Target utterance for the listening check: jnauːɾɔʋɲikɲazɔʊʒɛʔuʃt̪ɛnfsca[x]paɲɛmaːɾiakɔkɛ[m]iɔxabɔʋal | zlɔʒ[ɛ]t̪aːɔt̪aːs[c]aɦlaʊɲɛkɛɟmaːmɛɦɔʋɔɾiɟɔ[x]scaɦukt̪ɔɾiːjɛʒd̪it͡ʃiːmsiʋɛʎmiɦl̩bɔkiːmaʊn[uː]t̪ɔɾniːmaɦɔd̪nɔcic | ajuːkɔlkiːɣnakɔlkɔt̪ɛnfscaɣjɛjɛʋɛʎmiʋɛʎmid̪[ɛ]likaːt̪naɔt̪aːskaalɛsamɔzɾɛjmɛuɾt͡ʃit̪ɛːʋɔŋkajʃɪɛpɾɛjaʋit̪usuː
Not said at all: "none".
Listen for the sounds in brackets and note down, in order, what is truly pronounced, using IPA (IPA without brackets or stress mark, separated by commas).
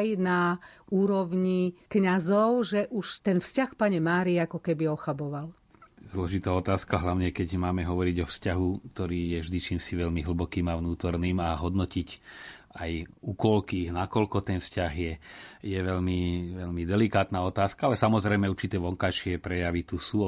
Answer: x, b, i, k, f, uː, ɛ